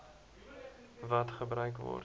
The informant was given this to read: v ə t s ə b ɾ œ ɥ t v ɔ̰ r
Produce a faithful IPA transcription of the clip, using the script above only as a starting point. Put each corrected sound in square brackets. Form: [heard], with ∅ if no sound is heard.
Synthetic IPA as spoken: v [ɐ] t [χ] ə b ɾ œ ɥ [k] v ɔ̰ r